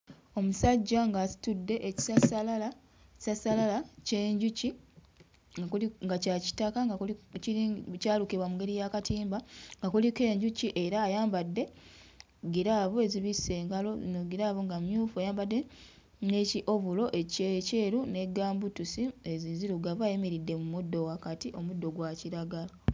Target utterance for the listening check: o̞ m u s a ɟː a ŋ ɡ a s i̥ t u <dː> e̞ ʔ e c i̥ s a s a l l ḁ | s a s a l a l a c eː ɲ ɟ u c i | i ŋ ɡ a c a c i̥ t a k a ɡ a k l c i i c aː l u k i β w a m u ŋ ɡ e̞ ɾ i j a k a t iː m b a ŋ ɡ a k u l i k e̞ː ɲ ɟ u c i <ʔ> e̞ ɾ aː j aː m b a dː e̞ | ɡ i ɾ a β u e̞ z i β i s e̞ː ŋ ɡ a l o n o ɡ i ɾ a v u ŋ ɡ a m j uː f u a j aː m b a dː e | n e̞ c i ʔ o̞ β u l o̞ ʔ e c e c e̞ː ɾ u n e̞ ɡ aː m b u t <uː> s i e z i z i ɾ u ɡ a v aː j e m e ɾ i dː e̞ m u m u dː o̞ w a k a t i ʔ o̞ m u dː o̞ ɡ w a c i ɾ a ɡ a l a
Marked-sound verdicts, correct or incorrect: correct, correct, incorrect: u

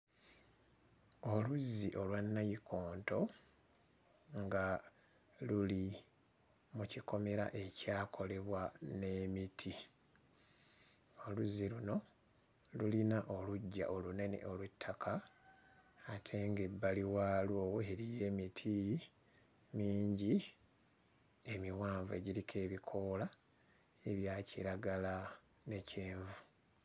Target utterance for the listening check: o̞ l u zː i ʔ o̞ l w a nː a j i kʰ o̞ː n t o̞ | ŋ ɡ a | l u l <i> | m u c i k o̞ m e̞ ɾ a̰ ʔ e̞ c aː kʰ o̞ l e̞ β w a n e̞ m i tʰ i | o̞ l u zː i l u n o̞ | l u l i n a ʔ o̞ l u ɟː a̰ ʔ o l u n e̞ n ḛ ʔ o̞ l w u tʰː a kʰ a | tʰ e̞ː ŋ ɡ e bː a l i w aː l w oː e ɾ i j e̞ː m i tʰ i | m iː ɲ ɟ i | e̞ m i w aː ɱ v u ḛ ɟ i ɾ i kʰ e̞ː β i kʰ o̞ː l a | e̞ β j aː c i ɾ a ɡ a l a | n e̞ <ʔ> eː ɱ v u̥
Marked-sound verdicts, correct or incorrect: correct, incorrect: c

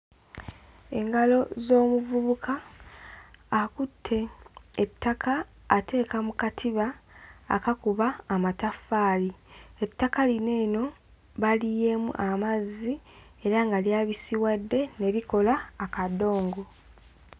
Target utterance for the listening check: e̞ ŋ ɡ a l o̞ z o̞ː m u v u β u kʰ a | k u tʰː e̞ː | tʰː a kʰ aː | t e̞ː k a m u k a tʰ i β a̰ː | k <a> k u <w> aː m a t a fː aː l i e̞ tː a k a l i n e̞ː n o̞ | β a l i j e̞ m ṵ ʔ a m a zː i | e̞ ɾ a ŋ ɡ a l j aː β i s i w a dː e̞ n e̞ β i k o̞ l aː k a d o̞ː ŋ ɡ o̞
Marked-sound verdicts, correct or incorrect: correct, incorrect: β

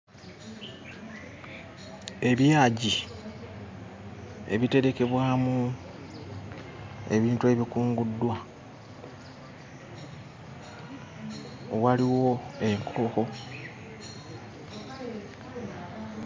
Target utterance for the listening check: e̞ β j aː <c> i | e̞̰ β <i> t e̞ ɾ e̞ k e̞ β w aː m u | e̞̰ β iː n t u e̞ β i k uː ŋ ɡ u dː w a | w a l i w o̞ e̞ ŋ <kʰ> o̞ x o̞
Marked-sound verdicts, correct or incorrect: incorrect: ɟ, correct, correct

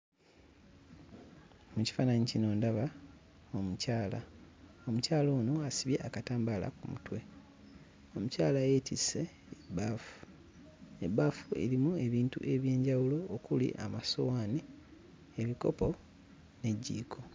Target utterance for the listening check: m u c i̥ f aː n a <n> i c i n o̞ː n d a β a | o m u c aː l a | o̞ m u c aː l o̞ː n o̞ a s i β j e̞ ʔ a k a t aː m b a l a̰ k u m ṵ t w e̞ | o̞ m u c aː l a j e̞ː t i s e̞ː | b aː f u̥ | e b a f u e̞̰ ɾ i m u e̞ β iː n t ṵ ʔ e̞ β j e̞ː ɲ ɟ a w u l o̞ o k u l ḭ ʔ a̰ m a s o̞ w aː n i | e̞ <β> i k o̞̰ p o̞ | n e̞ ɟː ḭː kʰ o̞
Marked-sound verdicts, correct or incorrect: incorrect: ɲ, correct

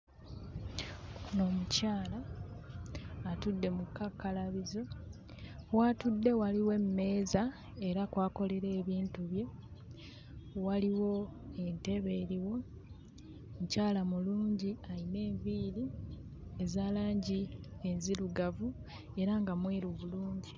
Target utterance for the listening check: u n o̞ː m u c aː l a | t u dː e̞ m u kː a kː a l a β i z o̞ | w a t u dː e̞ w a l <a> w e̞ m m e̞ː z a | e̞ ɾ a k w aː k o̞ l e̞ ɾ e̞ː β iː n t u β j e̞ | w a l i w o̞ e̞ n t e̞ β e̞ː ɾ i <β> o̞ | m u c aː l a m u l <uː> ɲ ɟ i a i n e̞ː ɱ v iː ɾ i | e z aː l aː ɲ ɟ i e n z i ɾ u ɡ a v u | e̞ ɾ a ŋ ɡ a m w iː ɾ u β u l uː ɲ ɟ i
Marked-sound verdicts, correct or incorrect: incorrect: i, incorrect: w, correct

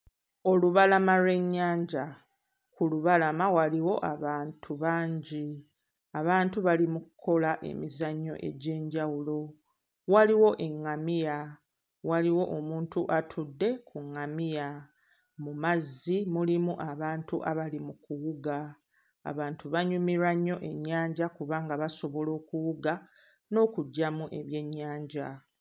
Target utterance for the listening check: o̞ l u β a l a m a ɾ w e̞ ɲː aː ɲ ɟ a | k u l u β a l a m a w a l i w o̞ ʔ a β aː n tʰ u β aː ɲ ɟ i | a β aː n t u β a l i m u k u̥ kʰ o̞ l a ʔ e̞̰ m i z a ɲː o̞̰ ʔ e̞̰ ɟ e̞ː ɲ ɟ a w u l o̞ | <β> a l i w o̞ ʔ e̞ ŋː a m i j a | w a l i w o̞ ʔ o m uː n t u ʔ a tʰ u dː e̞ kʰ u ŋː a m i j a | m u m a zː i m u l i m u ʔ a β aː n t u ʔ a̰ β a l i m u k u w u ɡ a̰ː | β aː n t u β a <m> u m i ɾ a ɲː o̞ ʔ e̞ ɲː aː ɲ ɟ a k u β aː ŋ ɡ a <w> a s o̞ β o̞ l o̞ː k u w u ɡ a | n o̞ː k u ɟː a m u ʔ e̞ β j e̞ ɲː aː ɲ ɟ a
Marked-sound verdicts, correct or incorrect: incorrect: w, incorrect: ɲ, incorrect: β

